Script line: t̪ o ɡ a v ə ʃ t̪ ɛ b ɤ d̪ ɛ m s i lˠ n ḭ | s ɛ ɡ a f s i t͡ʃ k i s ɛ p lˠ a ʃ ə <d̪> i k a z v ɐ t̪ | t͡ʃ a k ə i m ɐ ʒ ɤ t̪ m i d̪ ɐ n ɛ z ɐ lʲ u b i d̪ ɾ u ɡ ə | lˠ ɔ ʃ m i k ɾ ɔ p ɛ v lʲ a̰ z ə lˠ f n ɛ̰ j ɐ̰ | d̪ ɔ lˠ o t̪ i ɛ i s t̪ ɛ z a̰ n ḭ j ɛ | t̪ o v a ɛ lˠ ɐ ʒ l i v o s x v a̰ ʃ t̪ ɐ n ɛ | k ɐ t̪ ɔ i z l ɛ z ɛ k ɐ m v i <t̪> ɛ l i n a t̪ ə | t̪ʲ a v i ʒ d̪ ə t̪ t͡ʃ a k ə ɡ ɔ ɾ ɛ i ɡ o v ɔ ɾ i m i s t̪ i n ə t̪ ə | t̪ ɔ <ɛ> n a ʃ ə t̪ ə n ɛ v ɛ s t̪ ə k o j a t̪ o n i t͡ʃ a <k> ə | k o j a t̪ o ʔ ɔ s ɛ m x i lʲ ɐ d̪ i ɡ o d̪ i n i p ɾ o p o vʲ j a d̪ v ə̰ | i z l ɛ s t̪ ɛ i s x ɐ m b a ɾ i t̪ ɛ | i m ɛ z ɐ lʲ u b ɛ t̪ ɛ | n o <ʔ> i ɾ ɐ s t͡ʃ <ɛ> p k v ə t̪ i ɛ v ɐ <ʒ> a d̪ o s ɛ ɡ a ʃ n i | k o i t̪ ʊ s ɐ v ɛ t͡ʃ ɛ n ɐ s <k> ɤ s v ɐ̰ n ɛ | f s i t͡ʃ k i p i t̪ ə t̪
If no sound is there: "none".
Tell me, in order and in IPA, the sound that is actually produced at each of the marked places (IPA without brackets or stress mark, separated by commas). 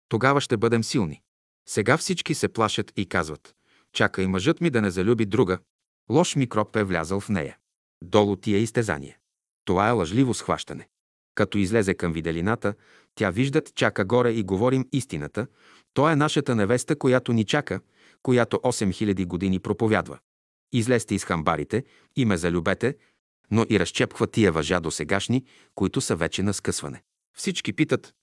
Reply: t̪, d̪, ɛ, k, ʔ, ɛ, ʒ, k